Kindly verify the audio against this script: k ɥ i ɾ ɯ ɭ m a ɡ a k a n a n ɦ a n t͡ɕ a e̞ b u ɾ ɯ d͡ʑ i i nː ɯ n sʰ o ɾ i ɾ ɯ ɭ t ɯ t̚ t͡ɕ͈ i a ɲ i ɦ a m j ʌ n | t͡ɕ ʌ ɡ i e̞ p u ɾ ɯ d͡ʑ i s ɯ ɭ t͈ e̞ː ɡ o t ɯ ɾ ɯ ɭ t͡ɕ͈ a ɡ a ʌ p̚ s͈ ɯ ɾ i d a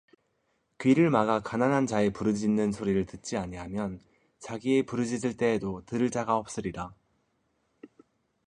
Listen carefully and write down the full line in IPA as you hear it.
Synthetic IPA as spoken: k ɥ i ɾ ɯ ɭ m a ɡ a k a n a n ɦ a n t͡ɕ a e̞ p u ɾ ɯ d͡ʑ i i nː ɯ n sʰ o ɾ i ɾ ɯ ɭ t ɯ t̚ t͡ɕ͈ i a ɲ i ɦ a m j ʌ n | t͡ɕ a ɡ i e̞ p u ɾ ɯ d͡ʑ i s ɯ ɭ t͈ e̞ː d o t ɯ ɾ ɯ ɭ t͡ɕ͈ a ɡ a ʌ p̚ s͈ ɯ ɾ i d a